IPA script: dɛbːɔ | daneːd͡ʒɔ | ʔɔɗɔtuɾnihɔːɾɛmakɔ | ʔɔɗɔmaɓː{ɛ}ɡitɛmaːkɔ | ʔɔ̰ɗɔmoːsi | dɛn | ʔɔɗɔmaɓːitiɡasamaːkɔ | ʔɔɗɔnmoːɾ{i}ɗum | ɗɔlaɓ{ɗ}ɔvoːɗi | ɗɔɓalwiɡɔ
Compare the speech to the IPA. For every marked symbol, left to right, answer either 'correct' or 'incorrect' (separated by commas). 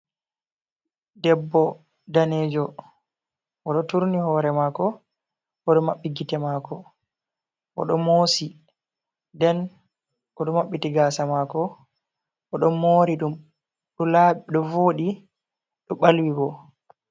incorrect, correct, correct